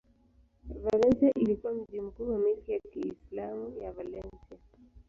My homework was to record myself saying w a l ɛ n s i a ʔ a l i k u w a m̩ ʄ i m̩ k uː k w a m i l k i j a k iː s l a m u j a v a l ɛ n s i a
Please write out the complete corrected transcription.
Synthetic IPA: v a l ɛ n s i a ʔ i l i k u w a m̩ ʄ i m̩ k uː w a m i l k i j a k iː s l a m u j a v a l ɛ n s i a